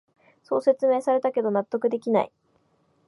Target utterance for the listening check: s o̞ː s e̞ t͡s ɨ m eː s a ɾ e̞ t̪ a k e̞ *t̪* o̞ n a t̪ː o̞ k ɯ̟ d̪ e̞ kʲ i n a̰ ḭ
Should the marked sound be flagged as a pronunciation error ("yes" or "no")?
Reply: yes